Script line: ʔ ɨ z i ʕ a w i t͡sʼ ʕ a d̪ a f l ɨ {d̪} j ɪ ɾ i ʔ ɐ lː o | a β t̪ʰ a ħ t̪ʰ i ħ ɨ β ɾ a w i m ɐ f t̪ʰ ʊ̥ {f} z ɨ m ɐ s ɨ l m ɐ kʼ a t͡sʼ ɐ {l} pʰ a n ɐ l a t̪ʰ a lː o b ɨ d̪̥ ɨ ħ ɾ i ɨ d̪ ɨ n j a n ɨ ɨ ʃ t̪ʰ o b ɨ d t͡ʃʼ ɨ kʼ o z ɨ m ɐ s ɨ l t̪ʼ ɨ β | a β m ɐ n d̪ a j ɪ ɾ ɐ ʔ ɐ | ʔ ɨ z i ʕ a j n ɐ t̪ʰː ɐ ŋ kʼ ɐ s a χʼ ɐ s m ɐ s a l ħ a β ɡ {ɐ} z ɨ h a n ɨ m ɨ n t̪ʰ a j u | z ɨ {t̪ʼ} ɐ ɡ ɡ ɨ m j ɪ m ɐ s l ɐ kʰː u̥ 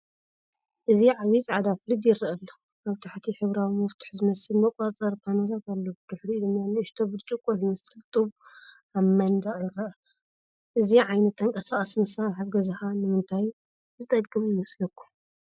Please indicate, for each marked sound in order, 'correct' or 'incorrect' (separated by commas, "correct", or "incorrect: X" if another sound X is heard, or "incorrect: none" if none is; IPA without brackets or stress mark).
correct, incorrect: ħ, incorrect: ɾ, correct, correct